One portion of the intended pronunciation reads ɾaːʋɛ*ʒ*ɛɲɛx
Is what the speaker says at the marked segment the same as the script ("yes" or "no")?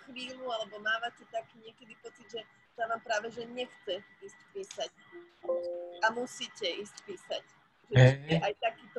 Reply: yes